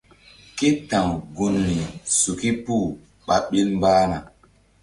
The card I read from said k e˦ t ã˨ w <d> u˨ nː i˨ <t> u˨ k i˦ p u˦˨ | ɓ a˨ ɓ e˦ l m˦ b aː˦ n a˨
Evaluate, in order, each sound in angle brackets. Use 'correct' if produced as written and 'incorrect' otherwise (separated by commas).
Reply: incorrect, incorrect